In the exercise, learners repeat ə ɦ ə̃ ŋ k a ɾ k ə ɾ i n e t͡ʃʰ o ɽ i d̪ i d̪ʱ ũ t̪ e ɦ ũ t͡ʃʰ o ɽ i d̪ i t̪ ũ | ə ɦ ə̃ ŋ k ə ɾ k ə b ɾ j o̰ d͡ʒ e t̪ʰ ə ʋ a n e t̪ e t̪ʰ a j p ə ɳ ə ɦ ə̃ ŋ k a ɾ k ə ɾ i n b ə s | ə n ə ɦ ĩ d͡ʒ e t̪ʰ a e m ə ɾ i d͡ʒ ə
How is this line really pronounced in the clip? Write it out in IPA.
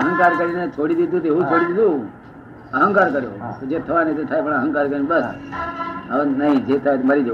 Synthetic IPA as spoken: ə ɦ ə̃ ŋ k a ɾ k ə ɾ i n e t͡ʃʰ o ɽ i d̪ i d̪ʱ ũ t̪ e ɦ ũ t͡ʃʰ o ɽ i d̪ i d̪ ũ | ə ɦ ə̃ ŋ k a ɾ k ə ɾ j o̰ d͡ʒ e t̪ʰ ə ʋ a n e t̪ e t̪ʰ a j p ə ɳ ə ɦ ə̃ ŋ k a ɾ k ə ɾ i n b ə s | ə n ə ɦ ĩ d͡ʒ e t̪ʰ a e m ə ɾ i d͡ʒ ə